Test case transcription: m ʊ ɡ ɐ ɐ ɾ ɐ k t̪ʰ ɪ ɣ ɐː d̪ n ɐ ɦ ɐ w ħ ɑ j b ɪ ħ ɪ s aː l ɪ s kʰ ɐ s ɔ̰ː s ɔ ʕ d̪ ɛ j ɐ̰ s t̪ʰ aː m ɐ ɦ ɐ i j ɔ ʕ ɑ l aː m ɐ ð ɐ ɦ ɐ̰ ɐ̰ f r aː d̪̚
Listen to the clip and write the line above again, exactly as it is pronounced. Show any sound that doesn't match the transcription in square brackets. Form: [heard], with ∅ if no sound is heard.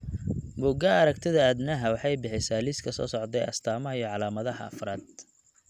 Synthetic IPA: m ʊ ɡ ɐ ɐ ɾ ɐ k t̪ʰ ɪ [ð] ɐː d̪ n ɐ ɦ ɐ w ħ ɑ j b ɪ ħ ɪ s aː l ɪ s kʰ ɐ s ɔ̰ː s ɔ ʕ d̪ ɛ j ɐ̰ s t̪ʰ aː m ɐ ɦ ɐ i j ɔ ʕ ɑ l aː m ɐ ð ɐ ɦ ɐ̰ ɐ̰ f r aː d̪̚